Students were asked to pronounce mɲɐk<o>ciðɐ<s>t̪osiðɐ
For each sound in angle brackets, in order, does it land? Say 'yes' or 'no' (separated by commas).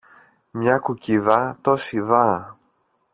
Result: no, no